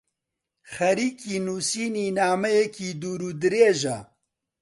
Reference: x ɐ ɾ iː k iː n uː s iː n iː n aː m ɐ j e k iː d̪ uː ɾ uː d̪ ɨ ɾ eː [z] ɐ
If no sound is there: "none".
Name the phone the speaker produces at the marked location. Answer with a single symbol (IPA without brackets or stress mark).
ʒ